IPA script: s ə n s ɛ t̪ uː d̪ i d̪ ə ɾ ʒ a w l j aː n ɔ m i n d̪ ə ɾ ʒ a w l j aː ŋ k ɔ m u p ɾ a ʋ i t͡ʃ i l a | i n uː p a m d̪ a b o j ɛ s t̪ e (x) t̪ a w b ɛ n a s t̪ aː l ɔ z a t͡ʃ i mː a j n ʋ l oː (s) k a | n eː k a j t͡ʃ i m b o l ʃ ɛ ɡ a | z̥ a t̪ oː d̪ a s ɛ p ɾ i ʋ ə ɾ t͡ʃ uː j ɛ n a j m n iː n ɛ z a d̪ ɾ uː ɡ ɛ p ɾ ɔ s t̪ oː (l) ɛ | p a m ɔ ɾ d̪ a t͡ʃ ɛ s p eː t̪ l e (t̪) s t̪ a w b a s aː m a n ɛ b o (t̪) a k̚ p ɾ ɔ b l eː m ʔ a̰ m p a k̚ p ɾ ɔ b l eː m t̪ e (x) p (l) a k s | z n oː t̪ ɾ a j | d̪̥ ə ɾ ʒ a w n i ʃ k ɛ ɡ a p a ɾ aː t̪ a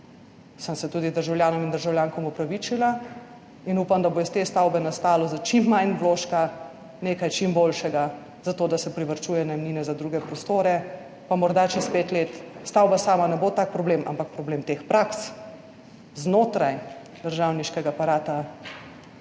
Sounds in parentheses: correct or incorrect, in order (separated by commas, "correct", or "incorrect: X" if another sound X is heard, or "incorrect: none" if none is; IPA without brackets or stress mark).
incorrect: s, incorrect: ʃ, incorrect: ɾ, correct, correct, correct, incorrect: ɾ